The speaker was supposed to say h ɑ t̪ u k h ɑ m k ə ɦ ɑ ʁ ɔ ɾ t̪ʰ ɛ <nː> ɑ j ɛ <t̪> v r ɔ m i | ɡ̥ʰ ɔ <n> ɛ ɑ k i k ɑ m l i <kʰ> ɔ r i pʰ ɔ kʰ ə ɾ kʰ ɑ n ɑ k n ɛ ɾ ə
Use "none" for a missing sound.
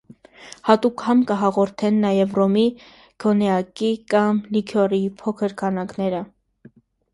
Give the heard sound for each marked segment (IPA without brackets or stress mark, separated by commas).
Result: nː, none, n, kʰ